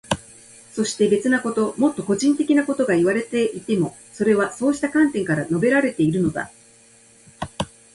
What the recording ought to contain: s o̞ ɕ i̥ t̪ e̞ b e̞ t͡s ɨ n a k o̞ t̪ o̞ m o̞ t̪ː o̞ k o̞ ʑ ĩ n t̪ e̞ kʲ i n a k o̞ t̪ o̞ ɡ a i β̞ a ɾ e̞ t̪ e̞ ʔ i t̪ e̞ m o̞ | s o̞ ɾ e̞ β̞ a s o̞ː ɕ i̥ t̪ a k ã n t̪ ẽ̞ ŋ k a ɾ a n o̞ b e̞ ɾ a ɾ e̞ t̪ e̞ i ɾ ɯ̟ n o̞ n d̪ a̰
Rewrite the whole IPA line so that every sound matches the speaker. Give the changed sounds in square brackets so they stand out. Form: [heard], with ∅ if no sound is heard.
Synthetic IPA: s o̞ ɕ i̥ t̪ e̞ b e̞ t͡s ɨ n a k o̞ t̪ o̞ m o̞ t̪ː o̞ k o̞ ʑ ĩ n t̪ e̞ kʲ i n a k o̞ t̪ o̞ ɡ a i β̞ a ɾ e̞ t̪ e̞ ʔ i t̪ e̞ m o̞ | s o̞ ɾ e̞ β̞ a s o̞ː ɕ i̥ t̪ a k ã n t̪ ẽ̞ ŋ k a ɾ a n o̞ b e̞ ɾ a ɾ e̞ t̪ e̞ i ɾ ɯ̟ n o̞ [∅] d̪ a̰